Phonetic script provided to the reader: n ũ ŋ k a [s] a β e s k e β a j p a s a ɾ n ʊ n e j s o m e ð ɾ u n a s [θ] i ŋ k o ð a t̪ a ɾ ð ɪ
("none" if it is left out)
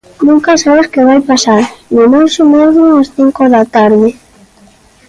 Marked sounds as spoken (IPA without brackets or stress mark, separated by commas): s, θ